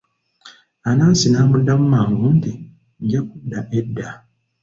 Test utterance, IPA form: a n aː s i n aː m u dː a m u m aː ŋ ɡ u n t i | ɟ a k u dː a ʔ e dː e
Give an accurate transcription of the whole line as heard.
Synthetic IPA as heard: a n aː s i n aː m u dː a m u m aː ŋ ɡ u n t i | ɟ a k u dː a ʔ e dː a